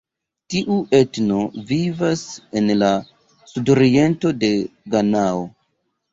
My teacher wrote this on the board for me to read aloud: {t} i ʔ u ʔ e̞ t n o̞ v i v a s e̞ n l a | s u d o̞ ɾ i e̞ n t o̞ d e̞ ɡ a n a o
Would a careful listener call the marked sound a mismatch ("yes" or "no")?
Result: no